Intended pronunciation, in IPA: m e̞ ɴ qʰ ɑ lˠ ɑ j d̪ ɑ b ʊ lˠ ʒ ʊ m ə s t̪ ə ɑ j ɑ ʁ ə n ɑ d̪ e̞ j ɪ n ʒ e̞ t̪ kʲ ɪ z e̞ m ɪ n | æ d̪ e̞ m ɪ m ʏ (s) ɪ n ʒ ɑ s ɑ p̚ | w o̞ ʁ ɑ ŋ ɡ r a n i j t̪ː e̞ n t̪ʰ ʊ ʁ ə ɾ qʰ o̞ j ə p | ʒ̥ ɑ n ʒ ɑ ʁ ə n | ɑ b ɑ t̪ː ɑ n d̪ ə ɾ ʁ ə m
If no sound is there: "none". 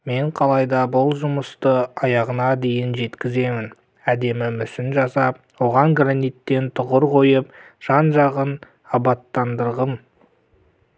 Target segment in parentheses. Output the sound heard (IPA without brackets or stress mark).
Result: s